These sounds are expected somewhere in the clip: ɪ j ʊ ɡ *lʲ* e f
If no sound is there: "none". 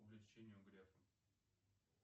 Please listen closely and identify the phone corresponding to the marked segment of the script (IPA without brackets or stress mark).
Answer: ɾʲ